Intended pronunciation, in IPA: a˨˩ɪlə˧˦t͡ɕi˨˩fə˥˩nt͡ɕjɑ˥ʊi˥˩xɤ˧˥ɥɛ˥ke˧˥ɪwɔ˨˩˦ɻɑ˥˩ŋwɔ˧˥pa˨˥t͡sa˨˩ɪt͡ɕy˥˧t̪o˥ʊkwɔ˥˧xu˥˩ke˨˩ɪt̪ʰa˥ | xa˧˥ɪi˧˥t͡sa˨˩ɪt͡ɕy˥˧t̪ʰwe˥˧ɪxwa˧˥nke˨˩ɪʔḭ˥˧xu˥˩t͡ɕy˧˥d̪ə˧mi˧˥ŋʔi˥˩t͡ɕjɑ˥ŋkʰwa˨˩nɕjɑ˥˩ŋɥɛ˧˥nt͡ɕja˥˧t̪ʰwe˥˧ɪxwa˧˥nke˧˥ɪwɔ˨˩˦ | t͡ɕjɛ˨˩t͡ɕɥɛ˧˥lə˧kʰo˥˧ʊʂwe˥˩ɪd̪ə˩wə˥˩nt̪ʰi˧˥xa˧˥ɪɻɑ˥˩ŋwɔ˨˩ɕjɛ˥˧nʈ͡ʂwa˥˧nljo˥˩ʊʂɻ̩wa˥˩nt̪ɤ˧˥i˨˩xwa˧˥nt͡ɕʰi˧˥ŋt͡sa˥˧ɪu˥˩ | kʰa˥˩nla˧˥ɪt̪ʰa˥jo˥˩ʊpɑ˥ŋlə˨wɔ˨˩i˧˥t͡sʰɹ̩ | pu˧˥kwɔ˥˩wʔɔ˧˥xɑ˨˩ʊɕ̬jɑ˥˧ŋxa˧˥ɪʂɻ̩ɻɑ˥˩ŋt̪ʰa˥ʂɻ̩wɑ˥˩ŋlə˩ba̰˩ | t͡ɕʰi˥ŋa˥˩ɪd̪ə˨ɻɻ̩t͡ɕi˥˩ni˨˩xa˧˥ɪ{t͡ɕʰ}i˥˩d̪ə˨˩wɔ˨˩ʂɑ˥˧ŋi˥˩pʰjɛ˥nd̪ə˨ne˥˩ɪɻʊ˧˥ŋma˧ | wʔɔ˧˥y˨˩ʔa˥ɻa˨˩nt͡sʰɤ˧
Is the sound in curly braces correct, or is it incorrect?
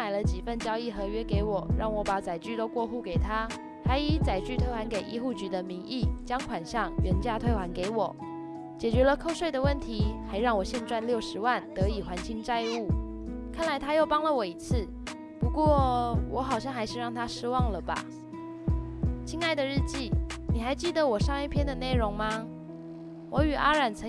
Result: incorrect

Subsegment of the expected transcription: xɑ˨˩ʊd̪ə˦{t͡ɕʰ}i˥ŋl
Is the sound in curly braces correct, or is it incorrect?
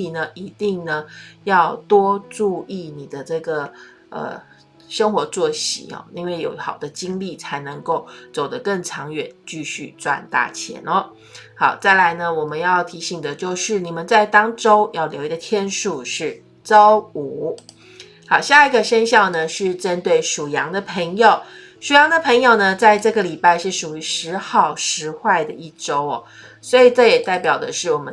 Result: incorrect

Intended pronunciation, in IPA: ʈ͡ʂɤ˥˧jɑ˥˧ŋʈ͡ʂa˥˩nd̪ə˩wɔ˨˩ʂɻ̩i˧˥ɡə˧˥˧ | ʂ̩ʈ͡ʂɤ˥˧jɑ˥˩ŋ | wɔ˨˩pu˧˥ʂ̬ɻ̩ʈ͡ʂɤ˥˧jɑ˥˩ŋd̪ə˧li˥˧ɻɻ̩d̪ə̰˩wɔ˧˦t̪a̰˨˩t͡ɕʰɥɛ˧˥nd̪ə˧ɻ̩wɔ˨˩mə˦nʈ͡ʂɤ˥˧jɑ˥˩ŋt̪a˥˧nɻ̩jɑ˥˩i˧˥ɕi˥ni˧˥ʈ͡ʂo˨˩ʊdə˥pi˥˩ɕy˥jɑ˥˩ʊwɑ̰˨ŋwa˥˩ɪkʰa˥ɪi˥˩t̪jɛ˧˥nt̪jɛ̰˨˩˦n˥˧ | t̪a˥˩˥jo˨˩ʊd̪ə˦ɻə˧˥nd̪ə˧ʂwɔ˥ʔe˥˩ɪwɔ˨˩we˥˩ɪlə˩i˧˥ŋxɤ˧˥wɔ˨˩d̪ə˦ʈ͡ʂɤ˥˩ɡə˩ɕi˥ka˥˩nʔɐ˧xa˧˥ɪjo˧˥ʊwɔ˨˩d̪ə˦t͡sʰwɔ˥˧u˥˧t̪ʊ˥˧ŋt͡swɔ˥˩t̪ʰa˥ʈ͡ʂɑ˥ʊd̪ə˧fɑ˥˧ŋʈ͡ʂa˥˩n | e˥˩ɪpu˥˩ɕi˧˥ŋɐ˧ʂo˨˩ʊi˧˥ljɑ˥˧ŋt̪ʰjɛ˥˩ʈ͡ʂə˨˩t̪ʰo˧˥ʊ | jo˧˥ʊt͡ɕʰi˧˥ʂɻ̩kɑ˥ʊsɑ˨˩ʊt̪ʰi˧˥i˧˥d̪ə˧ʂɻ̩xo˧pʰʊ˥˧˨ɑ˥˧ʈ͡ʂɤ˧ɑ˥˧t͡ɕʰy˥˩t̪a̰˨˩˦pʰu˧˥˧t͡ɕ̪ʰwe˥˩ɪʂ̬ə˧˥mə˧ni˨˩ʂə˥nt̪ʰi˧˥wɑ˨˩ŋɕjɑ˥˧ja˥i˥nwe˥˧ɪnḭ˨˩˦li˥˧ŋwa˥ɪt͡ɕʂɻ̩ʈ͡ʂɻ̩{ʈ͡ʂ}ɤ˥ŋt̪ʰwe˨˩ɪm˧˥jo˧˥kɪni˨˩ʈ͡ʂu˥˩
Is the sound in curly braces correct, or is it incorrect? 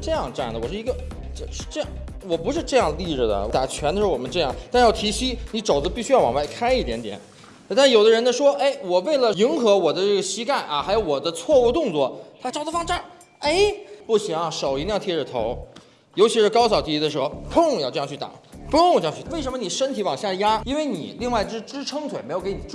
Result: incorrect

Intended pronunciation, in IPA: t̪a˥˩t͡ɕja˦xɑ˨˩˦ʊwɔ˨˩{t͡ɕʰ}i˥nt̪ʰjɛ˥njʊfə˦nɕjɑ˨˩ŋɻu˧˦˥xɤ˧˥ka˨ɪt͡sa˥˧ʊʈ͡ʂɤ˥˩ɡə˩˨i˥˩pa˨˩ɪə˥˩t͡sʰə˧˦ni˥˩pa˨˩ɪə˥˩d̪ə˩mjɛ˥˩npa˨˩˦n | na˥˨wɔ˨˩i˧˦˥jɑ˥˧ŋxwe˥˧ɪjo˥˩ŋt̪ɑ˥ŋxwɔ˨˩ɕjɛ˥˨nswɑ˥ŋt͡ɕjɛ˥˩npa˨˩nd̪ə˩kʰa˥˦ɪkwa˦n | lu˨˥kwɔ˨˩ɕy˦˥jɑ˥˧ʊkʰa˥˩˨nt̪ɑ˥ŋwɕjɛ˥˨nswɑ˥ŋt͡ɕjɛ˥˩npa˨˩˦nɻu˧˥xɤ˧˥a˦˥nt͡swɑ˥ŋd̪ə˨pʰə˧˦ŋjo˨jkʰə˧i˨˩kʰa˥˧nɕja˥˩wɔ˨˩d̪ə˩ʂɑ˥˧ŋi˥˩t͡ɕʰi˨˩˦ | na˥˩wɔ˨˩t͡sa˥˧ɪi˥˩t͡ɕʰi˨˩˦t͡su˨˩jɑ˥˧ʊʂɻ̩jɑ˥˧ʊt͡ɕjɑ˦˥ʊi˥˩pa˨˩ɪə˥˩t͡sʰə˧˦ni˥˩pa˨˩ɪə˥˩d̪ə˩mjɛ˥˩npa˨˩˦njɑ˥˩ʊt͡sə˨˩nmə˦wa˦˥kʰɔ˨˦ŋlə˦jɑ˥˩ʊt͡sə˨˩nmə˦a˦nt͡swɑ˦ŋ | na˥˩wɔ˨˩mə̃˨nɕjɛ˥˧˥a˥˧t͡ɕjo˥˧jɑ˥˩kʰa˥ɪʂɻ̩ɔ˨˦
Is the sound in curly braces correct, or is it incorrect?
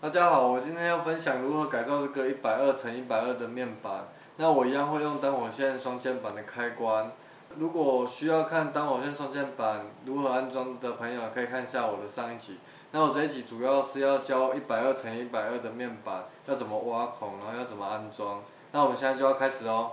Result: incorrect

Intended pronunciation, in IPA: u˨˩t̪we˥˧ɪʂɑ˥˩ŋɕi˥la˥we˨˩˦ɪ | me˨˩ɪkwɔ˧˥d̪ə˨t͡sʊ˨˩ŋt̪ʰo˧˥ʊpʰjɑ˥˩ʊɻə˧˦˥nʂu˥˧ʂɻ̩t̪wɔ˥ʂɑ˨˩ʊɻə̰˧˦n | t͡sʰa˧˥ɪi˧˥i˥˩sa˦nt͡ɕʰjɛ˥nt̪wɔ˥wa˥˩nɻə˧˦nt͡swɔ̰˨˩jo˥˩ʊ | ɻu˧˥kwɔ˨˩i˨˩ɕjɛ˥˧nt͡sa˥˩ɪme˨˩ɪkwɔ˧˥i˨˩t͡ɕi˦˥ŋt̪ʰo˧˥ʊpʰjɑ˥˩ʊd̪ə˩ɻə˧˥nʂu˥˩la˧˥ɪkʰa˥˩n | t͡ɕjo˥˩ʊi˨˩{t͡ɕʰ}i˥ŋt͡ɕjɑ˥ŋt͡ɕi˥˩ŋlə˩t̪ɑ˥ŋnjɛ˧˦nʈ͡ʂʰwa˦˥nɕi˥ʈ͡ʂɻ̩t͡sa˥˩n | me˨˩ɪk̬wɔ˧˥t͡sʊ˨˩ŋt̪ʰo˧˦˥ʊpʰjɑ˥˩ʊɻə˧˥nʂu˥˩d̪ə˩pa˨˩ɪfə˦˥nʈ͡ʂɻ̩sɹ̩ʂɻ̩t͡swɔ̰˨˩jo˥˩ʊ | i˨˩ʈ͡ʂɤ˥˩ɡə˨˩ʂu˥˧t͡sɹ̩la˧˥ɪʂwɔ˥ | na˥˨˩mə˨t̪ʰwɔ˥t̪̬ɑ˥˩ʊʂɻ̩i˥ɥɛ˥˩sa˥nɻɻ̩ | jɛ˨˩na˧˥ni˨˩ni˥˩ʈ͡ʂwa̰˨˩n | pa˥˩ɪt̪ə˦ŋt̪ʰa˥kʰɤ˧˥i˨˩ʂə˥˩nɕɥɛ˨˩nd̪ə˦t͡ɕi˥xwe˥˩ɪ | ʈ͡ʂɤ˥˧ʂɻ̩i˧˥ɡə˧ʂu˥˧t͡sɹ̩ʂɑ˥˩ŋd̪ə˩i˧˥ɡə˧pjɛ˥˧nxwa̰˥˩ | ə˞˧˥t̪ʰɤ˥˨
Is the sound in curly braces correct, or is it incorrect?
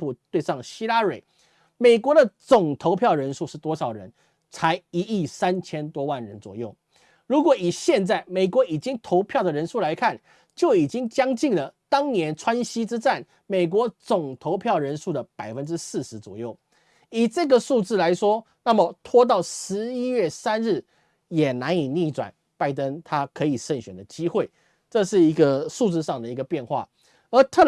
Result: incorrect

